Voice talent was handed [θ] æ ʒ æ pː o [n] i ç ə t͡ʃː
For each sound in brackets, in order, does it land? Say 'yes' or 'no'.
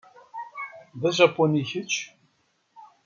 no, yes

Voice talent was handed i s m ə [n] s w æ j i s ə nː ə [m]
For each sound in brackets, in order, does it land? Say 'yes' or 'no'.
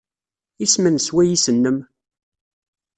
yes, yes

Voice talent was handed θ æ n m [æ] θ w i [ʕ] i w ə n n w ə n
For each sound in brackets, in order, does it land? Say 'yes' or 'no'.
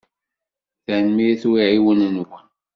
no, yes

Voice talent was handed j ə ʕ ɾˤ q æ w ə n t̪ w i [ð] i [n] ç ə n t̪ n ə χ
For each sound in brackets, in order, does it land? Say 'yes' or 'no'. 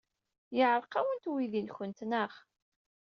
yes, yes

